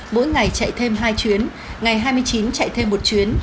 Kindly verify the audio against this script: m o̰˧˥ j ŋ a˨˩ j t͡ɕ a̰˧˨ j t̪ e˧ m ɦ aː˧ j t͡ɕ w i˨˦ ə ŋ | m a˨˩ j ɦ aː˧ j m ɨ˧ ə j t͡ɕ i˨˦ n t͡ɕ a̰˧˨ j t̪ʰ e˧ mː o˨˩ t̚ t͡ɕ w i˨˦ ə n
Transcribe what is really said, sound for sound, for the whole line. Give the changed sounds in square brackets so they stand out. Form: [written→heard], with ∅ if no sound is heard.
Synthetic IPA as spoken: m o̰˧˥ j ŋ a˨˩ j t͡ɕ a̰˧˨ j [t̪→t̪ʰ] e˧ m ɦ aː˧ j t͡ɕ w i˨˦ ə [ŋ→n] | [m→ŋ] a˨˩ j ɦ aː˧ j m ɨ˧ ə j t͡ɕ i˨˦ n t͡ɕ a̰˧˨ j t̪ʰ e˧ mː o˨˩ t̚ t͡ɕ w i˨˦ ə n